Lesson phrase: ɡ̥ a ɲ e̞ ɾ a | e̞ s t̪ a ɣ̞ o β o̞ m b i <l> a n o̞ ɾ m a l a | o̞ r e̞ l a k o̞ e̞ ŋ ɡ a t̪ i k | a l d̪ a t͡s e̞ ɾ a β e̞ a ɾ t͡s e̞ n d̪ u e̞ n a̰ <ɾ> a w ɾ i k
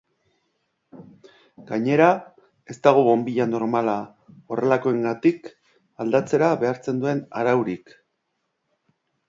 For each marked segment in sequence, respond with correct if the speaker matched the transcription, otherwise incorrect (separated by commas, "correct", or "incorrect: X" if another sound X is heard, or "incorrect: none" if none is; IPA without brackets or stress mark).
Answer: incorrect: ʎ, correct